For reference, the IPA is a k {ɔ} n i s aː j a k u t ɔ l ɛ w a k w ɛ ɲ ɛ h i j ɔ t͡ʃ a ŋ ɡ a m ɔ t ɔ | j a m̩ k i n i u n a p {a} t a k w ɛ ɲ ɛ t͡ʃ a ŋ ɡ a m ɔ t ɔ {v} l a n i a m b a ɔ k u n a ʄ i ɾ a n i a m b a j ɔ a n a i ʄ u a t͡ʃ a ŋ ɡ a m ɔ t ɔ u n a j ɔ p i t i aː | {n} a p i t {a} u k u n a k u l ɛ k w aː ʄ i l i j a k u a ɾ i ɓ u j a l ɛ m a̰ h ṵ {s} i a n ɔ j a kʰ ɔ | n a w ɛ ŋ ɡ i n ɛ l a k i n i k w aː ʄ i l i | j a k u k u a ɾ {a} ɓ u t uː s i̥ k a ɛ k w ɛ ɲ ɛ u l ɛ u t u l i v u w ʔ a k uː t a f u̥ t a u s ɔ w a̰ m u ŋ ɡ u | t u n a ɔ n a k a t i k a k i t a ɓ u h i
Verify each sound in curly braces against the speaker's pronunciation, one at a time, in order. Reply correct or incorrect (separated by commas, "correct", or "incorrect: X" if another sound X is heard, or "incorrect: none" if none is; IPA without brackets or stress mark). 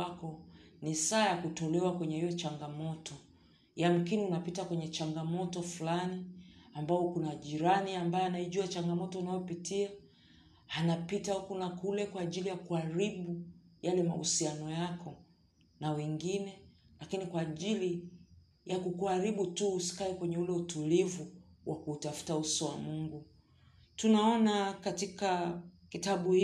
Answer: correct, incorrect: i, incorrect: f, correct, correct, correct, incorrect: i